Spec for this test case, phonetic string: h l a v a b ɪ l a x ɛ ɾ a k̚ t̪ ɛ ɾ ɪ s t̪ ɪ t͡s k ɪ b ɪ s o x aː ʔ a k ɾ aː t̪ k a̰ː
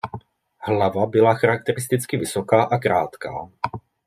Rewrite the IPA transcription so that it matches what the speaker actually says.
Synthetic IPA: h l a v a b ɪ l a x a ɾ a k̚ t̪ ɛ ɾ ɪ s t̪ ɪ t͡s k ɪ v ɪ s o k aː ʔ a k ɾ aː t̪ k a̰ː